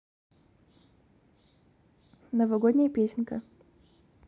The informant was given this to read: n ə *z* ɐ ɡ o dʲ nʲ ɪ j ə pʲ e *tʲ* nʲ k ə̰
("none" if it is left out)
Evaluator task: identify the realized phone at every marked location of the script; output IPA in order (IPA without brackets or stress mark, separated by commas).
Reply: v, sʲ